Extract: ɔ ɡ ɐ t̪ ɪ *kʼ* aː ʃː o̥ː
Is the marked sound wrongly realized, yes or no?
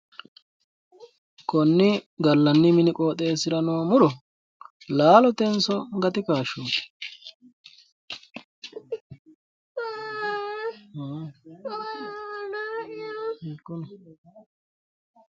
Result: yes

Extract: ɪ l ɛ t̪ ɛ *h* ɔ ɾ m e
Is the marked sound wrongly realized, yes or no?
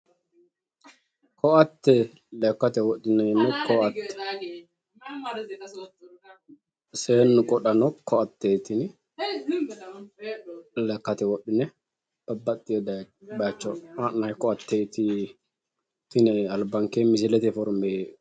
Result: yes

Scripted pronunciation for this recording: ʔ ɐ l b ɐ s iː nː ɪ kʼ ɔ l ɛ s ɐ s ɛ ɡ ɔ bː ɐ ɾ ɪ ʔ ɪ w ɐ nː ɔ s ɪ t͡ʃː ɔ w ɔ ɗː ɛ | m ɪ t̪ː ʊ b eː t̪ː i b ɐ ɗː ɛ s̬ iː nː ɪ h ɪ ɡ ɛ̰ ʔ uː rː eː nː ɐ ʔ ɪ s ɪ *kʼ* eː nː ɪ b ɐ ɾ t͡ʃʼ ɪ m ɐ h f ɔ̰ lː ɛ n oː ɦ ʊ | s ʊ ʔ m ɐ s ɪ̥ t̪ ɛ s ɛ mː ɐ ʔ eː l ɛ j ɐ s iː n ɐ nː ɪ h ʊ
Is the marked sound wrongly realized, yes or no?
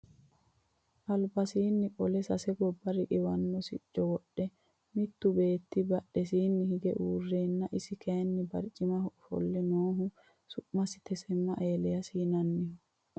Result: yes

